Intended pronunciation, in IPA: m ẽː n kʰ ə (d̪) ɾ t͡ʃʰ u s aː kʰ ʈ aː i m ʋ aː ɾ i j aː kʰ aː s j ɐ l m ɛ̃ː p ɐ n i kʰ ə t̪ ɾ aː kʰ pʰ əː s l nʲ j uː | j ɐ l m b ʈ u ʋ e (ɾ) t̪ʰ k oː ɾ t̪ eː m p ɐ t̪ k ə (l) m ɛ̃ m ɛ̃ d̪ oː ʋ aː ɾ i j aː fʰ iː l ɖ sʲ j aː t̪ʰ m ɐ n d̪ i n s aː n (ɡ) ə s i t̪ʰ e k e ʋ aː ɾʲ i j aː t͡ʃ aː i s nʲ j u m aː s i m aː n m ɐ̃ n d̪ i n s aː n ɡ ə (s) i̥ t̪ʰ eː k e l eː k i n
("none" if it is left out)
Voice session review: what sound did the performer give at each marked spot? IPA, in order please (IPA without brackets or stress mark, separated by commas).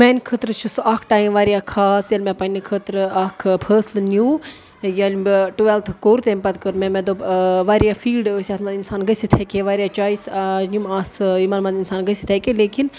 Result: t̪, l, ɾ, ɡ, s